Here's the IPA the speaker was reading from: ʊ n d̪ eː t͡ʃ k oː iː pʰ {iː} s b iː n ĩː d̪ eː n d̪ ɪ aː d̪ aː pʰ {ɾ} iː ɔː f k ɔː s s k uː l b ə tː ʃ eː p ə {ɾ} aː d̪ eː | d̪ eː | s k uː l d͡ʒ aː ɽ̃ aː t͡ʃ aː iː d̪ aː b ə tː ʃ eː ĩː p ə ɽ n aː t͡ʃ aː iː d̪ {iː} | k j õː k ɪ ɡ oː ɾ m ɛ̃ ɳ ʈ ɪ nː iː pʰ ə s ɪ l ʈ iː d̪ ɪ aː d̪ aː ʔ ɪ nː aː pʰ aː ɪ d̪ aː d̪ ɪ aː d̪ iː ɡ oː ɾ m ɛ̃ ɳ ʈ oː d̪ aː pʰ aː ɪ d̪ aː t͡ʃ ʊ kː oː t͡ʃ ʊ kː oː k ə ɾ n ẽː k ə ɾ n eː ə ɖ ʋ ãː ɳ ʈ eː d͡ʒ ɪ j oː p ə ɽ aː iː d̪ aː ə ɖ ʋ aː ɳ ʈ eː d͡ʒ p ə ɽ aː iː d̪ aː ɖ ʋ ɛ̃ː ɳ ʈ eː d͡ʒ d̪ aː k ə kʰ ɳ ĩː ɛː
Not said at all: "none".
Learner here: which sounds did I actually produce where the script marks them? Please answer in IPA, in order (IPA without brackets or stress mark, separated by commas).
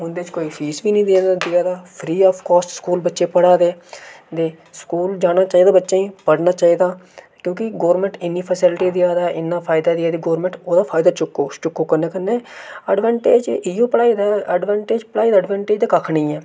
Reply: iː, ɾ, ɽ, aː